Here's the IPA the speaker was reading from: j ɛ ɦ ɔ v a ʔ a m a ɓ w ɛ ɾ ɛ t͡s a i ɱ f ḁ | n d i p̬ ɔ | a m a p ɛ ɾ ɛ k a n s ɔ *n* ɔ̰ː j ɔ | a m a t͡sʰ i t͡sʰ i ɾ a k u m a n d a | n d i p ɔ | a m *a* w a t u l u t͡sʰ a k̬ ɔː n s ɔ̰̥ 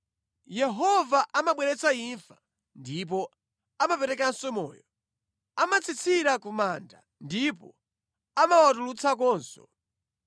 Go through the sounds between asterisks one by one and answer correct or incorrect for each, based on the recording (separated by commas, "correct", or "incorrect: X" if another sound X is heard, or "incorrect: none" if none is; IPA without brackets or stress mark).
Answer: incorrect: m, correct